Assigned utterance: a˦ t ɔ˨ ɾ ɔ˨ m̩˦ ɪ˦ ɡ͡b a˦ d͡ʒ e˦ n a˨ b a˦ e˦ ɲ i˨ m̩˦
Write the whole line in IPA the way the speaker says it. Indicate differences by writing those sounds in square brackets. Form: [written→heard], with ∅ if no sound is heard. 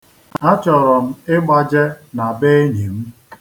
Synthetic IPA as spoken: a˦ [t→t͡ʃ] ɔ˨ ɾ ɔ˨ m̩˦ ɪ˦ ɡ͡b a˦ d͡ʒ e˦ n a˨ b [a˦→e˦] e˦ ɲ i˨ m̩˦